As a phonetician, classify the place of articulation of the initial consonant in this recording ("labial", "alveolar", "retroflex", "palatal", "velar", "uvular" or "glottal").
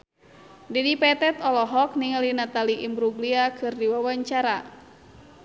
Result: alveolar